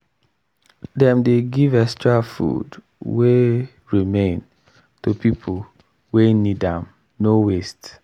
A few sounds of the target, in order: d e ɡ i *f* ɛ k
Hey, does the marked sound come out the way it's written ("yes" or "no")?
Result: no